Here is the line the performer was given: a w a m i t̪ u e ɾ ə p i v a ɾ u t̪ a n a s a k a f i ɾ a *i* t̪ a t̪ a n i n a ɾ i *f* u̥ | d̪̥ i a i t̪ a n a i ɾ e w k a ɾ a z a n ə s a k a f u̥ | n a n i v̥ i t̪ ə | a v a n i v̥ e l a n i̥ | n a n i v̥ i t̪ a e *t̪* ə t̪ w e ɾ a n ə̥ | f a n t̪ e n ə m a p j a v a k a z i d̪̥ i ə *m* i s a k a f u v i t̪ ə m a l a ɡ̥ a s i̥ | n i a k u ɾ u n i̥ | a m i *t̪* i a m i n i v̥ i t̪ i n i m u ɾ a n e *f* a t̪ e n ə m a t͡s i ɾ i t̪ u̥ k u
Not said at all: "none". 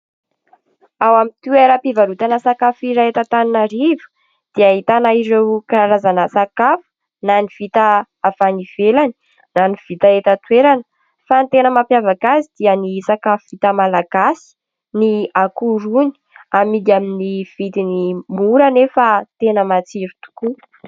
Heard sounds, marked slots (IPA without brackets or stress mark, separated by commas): e, v, t̪, n, d̪, f